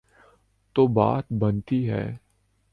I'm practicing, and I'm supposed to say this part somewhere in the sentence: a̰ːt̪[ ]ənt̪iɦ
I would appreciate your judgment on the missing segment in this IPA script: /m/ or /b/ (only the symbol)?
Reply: b